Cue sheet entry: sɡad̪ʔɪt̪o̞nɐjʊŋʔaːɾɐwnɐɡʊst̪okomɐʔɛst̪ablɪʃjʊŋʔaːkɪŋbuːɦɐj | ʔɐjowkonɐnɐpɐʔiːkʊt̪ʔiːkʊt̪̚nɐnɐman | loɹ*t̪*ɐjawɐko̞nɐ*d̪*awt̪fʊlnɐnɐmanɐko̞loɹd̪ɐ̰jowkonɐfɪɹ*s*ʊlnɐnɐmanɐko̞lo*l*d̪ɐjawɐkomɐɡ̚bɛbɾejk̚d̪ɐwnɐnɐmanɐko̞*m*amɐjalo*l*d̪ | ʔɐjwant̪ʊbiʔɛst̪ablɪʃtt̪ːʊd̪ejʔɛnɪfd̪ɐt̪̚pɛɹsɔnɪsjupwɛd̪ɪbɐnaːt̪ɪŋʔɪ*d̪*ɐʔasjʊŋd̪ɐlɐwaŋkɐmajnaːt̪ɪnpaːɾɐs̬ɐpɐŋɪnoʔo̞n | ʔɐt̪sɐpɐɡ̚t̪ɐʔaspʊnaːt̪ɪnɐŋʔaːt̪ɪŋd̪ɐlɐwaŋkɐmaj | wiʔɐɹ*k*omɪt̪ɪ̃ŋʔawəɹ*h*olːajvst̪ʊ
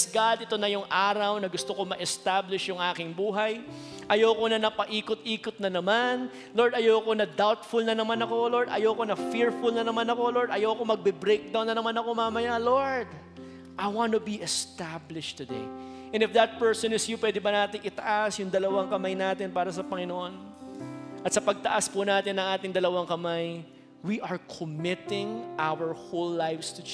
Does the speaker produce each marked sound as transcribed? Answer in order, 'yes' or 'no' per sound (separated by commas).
no, yes, no, no, yes, no, no, no, yes